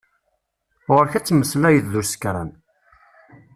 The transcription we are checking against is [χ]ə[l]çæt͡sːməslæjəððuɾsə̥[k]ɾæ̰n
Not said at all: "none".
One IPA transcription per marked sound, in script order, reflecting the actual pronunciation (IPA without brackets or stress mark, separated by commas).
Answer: ʁ, ɾ, k